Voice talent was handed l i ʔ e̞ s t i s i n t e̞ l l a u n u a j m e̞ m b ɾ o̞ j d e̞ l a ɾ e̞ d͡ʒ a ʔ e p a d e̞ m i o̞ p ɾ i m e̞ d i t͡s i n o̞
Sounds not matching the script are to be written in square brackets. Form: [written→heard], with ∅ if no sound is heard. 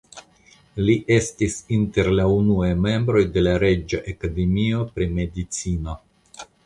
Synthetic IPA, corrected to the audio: l i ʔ e̞ s t i s i n t e̞ [l→ɾ] l a u n u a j m e̞ m b ɾ o̞ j d e̞ l a ɾ e̞ d͡ʒ a ʔ e [p→k] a d e̞ m i o̞ p ɾ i m e̞ d i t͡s i n o̞